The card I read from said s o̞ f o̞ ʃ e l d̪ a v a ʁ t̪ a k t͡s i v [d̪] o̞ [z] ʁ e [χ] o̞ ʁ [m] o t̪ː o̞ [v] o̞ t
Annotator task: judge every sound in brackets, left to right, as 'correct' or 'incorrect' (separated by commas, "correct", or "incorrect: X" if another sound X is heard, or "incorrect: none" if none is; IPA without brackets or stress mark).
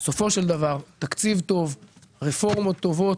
incorrect: t̪, incorrect: v, incorrect: f, correct, correct